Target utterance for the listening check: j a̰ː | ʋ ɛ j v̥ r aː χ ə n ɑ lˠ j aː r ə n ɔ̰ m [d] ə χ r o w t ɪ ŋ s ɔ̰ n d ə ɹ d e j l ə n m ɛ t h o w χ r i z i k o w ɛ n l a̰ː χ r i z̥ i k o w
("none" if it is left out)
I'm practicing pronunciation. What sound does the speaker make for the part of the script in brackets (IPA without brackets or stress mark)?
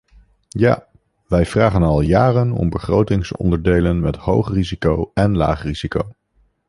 b